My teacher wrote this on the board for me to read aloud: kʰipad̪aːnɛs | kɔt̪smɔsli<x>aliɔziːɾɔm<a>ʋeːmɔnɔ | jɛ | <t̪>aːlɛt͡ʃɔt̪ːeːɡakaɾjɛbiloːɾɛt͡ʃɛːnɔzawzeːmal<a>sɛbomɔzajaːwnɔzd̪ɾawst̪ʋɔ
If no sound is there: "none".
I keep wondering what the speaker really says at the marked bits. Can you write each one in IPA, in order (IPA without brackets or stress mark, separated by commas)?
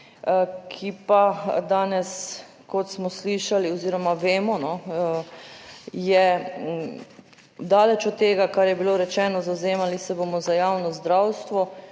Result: ʃ, a, d̪, i